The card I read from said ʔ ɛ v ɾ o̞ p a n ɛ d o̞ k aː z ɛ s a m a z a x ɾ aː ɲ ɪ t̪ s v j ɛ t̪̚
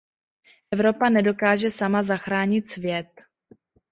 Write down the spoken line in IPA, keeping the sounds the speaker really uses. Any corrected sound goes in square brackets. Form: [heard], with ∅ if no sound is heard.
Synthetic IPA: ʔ ɛ v ɾ o̞ p a n ɛ d o̞ k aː [ʒ] ɛ s a m a z a x ɾ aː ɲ ɪ t̪ s v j ɛ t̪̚